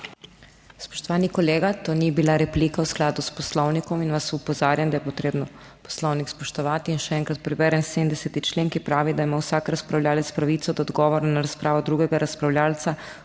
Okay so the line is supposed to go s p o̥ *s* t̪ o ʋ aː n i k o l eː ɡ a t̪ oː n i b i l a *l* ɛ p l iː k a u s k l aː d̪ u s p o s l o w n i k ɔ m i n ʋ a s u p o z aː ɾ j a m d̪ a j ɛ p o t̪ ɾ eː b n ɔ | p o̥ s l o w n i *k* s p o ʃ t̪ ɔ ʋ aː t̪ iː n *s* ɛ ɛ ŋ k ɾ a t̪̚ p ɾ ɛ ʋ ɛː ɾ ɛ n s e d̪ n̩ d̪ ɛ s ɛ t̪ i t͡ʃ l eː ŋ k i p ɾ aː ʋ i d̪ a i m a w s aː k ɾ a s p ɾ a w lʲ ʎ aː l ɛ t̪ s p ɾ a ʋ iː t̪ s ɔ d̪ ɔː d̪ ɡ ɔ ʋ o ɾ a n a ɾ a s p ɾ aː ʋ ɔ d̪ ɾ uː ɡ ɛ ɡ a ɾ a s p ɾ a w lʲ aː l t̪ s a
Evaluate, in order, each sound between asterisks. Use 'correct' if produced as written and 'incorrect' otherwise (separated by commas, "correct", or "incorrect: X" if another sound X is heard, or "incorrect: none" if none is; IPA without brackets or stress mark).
incorrect: ʃ, incorrect: ɾ, correct, incorrect: ʃ